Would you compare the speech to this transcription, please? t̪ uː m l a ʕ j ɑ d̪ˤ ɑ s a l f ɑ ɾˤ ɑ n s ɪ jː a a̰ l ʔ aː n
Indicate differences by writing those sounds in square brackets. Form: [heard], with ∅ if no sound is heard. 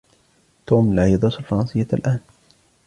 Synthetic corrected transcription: t̪ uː m l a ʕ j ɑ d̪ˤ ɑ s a l f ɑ ɾˤ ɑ n s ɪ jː a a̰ l ʔ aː n